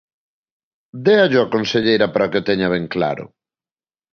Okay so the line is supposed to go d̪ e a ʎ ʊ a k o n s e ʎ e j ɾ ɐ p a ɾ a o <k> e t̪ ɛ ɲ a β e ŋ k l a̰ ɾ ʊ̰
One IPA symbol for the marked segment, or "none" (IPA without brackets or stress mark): k